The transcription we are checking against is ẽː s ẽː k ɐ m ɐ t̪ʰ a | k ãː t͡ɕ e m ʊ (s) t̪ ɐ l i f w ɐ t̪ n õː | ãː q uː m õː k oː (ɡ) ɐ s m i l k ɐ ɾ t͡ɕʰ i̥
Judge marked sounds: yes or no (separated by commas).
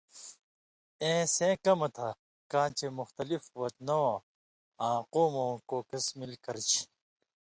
no, no